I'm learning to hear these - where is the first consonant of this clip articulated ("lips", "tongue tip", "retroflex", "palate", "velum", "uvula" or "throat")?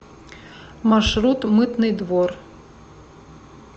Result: lips